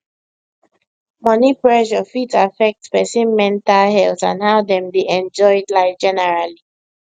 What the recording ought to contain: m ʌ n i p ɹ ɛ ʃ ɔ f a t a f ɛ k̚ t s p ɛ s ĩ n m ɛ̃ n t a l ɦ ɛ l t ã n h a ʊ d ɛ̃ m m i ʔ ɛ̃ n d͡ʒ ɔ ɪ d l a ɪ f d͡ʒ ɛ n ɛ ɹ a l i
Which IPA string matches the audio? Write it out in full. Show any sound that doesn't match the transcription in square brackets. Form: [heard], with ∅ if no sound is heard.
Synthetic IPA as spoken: m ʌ n i p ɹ ɛ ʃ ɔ f [i] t a f ɛ k̚ t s p ɛ s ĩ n m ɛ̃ n t a l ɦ ɛ l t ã n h a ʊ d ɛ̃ m [b] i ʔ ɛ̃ n d͡ʒ ɔ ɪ d l a ɪ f d͡ʒ ɛ n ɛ ɹ a l i

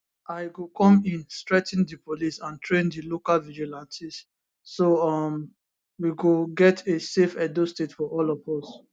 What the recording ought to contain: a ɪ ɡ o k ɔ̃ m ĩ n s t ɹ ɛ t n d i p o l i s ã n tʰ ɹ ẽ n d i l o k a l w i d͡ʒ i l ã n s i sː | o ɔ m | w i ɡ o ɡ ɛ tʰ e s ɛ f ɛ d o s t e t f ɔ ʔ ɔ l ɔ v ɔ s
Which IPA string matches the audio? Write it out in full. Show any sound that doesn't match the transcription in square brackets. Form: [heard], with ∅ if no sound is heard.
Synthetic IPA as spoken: a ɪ ɡ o k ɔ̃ m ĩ n s t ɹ ɛ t n d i p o l i s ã n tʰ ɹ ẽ n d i l o k a l [v] i d͡ʒ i l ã n s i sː | o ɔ m | w i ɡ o ɡ ɛ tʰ e s [e] f ɛ d o s t e t f ɔ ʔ ɔ l ɔ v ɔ s

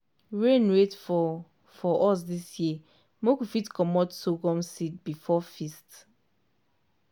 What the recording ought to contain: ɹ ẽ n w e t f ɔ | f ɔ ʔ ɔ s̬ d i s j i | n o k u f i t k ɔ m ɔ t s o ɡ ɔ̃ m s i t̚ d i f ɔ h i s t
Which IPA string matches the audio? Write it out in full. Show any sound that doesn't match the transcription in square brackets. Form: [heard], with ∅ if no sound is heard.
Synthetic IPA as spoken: ɹ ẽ n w e t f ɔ | f ɔ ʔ ɔ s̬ d i s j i | [m] o k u f i t k ɔ m ɔ t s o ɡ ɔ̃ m s i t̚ [b] i f ɔ [f] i s t

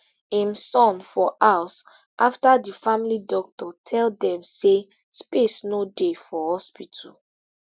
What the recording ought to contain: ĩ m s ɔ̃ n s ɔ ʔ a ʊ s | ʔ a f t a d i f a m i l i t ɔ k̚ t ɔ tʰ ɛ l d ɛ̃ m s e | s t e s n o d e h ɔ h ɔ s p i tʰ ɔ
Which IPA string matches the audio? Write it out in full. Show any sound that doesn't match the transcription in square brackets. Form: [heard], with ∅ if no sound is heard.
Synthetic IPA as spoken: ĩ m s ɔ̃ n [f] ɔ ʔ a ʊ s | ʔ a f t a d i f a m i l i [d] ɔ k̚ t ɔ tʰ ɛ l d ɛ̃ m s e | s [p] e s n o d e [f] ɔ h ɔ s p i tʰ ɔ

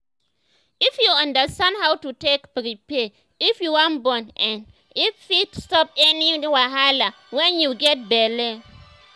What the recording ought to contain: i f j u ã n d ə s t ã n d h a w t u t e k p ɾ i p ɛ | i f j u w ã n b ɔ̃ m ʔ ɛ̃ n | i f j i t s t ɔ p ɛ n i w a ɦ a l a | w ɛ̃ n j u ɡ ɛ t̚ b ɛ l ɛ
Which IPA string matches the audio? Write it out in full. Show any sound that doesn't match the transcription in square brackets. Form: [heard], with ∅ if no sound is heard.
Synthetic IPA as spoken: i f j u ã n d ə s t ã n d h a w t u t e k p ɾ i p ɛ | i f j u w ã n b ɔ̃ [n] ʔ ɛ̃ n | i f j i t s t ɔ p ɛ n i w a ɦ a l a | w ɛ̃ n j u ɡ ɛ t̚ b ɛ l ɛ

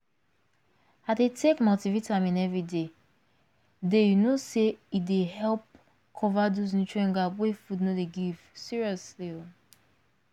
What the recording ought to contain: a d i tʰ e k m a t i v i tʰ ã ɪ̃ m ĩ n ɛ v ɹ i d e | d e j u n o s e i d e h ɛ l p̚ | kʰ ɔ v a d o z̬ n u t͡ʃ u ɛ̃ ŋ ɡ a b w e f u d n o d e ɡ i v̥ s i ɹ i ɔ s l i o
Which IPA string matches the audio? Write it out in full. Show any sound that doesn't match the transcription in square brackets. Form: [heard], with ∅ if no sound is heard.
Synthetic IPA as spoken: a d [e] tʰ e k m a t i v i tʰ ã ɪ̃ m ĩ n ɛ v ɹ i d e | d e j u n o s e i d e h ɛ l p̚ | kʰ ɔ v a d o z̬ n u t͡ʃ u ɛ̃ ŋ ɡ a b w e f u d n o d e ɡ i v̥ s i ɹ i ɔ s l i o

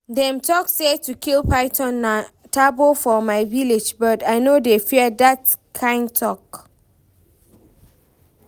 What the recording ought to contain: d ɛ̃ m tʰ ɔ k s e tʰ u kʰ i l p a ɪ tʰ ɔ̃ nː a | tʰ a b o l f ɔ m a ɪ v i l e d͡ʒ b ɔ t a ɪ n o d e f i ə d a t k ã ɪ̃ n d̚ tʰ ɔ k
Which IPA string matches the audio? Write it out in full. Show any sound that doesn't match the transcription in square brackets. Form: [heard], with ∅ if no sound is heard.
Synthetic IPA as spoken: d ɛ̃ m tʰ ɔ k s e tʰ u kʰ i l p a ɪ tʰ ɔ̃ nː a | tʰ a b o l f ɔ m a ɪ v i l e d͡ʒ b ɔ t a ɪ n o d e f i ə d a t [kʰ] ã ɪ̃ n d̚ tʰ ɔ k

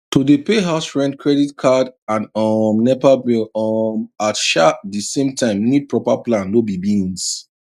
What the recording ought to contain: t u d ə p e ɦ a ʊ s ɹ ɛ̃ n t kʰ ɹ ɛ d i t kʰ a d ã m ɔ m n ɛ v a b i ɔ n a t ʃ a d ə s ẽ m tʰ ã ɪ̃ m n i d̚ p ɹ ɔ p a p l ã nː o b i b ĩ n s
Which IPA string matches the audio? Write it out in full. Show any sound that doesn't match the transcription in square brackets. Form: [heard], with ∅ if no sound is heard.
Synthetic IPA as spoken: t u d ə p e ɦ a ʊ s ɹ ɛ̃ n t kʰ ɹ ɛ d i t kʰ a d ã [n] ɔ m n ɛ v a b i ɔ [m] a t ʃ a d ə s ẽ m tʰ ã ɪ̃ m n i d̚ p ɹ ɔ p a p l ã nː o b i b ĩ n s

